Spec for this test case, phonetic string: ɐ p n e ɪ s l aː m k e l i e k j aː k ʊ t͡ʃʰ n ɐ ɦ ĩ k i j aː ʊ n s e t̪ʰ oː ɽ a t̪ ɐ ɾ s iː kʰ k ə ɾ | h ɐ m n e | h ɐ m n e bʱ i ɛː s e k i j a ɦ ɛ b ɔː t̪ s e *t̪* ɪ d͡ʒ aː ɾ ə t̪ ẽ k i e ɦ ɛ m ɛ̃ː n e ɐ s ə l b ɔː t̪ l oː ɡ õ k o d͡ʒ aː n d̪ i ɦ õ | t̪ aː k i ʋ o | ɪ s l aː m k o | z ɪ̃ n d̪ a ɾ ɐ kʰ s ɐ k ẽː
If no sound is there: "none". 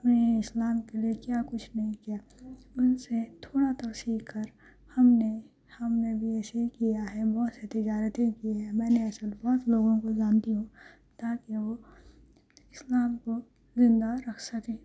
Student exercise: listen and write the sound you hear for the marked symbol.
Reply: t̪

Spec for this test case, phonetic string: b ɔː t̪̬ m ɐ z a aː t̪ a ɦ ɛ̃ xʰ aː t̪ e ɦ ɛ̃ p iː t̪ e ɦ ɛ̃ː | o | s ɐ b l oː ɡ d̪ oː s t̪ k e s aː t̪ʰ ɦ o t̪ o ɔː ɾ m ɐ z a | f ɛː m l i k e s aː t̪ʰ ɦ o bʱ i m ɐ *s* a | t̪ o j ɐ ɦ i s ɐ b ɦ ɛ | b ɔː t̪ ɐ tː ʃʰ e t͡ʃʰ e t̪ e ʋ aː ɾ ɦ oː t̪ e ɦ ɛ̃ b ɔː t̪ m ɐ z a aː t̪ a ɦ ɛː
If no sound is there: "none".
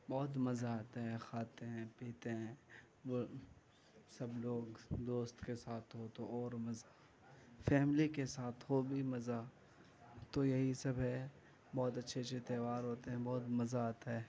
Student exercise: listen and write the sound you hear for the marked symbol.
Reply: z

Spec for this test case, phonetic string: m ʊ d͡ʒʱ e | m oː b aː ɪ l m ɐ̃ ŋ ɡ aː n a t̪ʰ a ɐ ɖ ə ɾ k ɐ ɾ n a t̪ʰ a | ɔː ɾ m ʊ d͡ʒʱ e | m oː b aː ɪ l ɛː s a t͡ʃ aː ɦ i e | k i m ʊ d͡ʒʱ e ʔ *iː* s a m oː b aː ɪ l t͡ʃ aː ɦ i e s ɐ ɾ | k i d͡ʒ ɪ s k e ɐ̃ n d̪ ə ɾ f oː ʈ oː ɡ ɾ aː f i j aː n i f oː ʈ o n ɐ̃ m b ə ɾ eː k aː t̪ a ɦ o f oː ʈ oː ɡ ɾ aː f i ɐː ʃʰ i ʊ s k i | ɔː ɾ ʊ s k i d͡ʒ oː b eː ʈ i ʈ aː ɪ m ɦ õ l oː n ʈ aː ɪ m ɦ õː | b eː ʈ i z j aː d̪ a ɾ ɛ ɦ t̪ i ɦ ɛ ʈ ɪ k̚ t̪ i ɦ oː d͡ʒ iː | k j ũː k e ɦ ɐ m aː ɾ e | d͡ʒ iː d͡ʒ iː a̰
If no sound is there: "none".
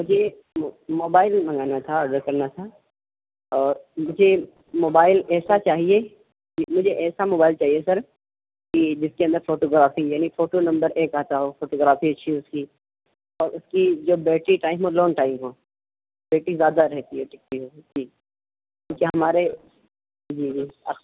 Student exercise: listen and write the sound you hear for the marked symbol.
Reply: ɛː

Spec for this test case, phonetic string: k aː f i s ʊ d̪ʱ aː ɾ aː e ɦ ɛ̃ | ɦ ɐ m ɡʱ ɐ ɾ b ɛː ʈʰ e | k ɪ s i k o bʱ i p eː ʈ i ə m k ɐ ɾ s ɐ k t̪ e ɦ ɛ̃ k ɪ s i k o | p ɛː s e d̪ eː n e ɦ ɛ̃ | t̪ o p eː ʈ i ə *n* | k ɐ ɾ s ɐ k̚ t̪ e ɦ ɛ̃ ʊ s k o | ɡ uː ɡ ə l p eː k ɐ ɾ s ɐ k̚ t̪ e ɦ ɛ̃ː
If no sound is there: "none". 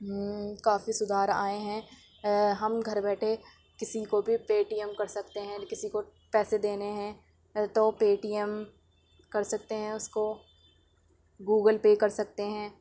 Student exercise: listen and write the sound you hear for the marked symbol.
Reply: m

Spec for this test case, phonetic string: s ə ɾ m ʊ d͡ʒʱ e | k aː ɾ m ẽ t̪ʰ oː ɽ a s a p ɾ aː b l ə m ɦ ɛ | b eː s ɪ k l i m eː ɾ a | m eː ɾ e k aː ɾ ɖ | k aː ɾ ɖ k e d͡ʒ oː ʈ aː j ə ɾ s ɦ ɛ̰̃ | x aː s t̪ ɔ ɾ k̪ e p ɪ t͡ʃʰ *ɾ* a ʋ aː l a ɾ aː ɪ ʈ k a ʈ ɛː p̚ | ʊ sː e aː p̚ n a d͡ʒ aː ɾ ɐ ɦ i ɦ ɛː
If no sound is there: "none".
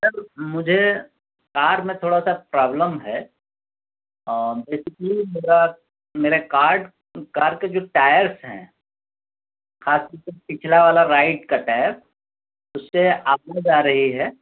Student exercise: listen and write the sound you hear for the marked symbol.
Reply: l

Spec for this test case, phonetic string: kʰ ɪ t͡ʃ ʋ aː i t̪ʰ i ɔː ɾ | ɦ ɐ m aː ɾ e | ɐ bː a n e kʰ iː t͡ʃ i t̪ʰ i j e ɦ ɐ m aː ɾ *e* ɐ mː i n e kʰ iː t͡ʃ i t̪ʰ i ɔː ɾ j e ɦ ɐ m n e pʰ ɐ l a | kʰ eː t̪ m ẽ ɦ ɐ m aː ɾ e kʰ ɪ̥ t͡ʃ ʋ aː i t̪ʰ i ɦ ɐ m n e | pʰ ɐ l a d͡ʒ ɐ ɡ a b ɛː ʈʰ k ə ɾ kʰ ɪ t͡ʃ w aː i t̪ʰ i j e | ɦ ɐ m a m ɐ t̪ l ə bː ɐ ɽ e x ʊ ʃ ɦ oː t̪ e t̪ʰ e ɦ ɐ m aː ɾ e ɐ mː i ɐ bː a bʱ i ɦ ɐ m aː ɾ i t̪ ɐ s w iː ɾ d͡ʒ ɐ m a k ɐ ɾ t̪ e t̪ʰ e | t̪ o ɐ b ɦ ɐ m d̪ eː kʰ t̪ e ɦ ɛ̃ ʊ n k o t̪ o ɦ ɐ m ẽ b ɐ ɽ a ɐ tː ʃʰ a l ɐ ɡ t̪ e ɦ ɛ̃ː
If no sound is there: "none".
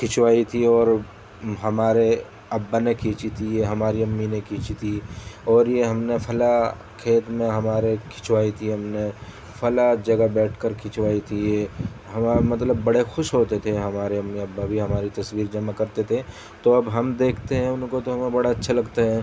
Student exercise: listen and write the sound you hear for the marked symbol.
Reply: i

